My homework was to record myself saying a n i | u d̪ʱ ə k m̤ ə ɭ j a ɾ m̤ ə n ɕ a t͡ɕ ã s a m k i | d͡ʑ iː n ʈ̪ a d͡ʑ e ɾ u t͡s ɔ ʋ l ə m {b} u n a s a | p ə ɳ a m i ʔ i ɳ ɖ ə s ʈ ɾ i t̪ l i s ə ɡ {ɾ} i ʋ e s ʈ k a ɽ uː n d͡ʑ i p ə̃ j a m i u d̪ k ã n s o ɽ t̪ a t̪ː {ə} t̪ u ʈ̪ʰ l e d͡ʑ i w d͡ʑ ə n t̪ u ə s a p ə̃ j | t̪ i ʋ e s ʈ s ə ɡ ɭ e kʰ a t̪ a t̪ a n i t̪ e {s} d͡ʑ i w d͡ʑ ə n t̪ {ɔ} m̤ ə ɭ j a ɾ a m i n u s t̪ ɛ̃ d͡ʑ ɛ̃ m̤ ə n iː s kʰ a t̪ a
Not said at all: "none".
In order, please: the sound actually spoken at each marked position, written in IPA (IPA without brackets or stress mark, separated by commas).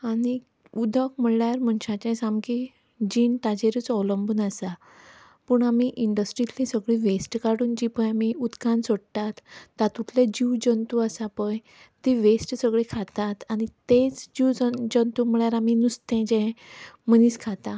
b, ɭ, a, t͡s, u